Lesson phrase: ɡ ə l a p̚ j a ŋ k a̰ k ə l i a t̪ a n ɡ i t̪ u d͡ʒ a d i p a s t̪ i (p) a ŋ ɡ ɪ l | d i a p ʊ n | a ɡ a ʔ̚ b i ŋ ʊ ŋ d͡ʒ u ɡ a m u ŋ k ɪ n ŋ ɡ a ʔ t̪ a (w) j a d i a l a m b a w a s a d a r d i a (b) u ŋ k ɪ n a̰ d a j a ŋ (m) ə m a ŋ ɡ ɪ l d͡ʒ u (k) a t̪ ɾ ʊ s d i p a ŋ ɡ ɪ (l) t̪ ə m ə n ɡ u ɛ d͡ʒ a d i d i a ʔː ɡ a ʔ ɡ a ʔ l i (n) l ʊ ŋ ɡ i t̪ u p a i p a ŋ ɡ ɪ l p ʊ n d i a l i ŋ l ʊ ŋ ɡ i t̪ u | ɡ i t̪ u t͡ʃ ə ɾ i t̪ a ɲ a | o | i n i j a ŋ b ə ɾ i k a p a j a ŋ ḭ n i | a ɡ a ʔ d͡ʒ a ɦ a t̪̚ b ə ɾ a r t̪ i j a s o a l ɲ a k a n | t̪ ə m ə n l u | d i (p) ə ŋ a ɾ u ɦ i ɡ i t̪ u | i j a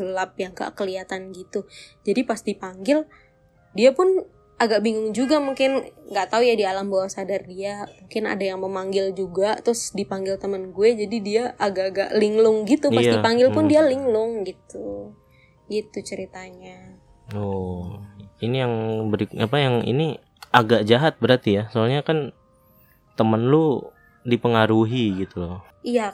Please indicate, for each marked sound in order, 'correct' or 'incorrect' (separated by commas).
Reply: correct, incorrect, incorrect, correct, incorrect, correct, incorrect, correct